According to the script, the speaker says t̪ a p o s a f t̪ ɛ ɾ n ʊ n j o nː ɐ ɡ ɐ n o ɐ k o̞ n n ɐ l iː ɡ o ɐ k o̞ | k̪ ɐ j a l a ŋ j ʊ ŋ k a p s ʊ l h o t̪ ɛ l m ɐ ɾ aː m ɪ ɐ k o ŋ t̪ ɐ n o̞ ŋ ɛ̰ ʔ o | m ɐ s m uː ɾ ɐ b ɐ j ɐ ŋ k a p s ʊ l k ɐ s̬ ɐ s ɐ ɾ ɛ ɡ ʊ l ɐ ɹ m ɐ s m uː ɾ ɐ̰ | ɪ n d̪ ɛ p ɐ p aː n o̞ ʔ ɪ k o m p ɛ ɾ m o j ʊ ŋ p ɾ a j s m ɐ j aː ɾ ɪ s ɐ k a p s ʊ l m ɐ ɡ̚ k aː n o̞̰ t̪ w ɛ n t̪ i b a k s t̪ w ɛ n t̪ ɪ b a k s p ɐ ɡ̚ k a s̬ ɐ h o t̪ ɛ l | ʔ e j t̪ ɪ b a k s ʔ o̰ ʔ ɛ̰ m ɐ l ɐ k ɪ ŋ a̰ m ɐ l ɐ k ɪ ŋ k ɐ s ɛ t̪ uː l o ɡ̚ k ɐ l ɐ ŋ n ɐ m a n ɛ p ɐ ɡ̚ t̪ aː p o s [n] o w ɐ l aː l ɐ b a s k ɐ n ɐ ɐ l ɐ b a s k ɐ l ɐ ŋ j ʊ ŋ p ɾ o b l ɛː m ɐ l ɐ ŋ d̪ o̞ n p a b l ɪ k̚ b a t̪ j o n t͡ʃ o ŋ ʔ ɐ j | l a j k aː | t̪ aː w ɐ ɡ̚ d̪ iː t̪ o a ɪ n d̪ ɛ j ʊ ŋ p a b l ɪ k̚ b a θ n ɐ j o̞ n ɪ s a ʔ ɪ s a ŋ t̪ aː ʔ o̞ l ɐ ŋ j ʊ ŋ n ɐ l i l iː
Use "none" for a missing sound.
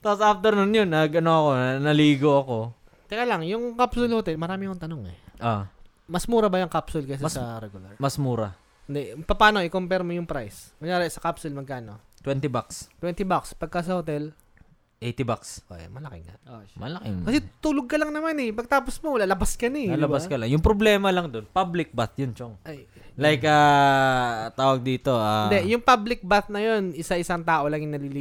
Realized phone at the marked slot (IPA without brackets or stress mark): m